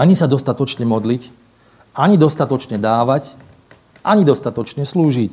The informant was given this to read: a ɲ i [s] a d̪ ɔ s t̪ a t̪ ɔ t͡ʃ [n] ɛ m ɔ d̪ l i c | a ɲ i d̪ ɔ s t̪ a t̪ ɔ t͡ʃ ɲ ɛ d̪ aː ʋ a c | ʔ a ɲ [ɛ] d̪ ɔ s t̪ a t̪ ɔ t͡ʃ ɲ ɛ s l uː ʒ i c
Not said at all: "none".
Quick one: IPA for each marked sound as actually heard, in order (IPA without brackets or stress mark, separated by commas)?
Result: s, ɲ, i